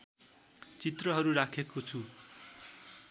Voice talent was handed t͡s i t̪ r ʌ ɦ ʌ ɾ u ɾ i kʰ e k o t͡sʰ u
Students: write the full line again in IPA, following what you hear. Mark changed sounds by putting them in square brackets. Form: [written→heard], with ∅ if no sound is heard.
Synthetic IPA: t͡s i t̪ r ʌ ɦ ʌ ɾ u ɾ [i→a] kʰ e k o t͡sʰ u